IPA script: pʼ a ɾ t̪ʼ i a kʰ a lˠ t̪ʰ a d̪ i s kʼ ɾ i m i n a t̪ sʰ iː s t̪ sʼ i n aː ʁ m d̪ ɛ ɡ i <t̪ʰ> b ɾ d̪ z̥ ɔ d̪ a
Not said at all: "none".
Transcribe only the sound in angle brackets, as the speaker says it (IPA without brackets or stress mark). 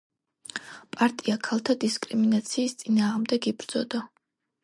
none